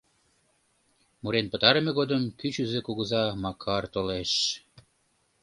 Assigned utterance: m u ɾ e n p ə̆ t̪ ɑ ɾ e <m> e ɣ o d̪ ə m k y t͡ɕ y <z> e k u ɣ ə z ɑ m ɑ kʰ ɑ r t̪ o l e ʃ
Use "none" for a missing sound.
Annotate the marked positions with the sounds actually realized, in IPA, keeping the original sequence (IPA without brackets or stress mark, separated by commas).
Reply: m, z